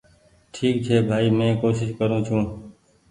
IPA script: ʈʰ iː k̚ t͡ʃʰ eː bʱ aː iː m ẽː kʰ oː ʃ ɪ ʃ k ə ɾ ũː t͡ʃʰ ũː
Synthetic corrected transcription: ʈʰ iː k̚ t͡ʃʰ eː bʱ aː iː m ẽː k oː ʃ ɪ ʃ k ə ɾ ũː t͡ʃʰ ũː